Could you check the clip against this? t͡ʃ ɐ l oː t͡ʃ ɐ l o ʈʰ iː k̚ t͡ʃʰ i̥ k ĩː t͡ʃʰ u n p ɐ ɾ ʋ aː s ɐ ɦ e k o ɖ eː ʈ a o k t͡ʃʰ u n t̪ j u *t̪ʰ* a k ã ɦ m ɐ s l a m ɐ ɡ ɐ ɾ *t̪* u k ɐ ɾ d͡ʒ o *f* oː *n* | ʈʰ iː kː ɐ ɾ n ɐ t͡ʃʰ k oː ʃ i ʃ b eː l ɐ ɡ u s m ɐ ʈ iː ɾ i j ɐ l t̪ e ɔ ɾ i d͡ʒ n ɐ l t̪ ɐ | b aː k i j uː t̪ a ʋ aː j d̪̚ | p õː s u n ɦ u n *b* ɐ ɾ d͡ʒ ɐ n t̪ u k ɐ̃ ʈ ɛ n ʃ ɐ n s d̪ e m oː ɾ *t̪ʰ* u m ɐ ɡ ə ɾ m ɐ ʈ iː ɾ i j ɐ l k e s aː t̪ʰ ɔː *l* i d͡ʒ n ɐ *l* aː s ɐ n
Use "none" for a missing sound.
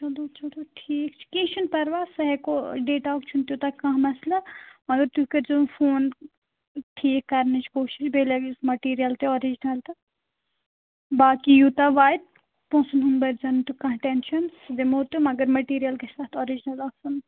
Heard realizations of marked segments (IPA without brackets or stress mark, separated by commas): t̪, t̪, f, n, b, t̪, ɾ, l